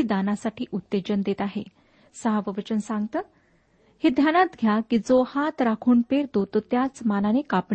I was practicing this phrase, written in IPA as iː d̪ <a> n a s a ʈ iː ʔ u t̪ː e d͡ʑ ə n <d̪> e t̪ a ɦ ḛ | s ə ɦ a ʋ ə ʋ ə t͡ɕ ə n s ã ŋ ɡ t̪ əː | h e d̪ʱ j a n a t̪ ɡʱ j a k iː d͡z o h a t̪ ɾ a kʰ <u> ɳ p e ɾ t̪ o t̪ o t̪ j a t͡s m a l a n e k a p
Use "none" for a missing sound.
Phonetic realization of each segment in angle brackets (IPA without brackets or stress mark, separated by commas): a, d̪, uː